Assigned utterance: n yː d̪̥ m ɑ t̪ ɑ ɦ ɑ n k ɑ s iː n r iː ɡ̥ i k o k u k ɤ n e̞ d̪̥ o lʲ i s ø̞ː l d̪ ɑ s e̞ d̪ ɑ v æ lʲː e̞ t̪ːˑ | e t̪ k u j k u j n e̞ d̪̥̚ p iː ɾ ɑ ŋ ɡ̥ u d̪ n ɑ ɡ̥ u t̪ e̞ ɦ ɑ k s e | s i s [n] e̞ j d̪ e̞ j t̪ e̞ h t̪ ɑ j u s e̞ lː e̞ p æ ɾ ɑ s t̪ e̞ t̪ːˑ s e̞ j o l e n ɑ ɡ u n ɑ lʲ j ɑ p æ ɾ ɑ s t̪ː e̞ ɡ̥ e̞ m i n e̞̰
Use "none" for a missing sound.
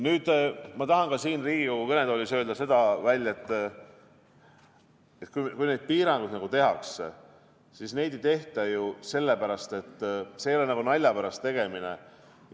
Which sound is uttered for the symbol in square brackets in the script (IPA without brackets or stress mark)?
n